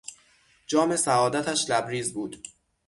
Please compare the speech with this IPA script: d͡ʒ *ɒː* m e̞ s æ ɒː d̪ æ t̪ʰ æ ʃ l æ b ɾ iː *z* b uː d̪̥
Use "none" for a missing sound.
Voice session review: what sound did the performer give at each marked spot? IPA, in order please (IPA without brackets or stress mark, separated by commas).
ɒː, z